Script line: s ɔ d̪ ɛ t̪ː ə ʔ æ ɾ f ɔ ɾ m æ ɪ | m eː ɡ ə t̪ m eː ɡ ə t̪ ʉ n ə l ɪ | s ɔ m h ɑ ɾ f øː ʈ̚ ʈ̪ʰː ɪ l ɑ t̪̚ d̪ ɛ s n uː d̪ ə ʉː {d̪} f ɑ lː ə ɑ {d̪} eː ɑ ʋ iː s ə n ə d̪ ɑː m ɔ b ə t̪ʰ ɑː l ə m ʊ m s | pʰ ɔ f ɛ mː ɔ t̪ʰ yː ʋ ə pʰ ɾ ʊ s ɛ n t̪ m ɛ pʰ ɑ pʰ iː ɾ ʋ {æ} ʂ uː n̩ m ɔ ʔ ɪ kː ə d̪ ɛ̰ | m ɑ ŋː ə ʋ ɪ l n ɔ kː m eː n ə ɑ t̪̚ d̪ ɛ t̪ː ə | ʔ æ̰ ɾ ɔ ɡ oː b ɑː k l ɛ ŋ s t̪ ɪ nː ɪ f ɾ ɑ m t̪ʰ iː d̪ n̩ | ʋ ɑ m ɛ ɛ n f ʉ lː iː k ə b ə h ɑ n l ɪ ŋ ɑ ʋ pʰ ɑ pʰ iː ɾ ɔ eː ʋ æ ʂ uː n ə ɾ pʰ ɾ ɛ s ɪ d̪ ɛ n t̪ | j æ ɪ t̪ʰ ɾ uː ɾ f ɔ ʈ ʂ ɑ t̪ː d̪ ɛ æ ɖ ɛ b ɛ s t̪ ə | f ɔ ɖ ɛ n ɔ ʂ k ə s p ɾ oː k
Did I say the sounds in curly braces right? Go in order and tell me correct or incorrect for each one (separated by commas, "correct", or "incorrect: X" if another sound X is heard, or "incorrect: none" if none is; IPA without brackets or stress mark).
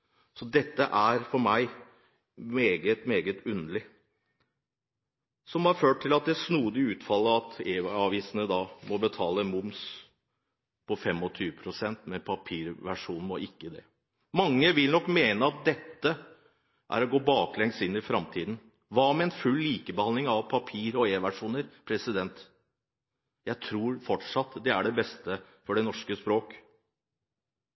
incorrect: t̪, incorrect: t̪, correct